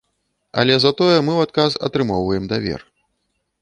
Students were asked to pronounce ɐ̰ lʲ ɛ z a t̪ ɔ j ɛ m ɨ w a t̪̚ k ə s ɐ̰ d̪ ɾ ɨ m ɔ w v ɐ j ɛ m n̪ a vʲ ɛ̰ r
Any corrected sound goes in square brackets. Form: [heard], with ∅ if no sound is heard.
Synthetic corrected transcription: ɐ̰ lʲ ɛ z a t̪ ɔ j ɛ m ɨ w a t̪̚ k [a] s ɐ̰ [t̪] ɾ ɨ m ɔ w v ɐ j ɛ m [d̪] a vʲ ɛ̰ r